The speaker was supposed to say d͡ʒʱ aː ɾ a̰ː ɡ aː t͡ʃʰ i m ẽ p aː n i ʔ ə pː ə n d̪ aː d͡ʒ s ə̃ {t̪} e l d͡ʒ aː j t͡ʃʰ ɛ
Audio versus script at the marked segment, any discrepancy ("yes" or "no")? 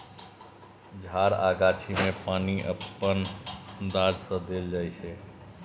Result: yes